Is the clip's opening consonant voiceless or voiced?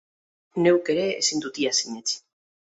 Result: voiced